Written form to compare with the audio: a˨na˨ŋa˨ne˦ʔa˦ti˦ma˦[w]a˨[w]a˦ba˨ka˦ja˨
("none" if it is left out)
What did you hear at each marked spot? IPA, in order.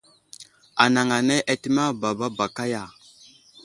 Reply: b, b

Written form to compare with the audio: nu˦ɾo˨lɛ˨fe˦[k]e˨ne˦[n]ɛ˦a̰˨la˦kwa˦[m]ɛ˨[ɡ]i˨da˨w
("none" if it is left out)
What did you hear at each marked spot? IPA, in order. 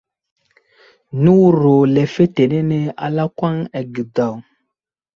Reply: t, n, ŋ, ɡ

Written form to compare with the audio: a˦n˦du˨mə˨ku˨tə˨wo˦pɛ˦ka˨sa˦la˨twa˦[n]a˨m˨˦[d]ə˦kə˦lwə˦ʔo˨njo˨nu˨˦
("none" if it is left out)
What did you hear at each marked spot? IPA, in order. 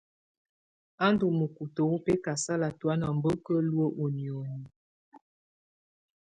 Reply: n, b

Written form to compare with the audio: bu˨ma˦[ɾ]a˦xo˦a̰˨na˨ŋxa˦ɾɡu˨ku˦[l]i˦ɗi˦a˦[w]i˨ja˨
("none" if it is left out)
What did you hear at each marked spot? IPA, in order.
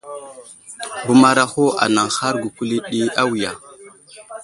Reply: ɾ, l, w

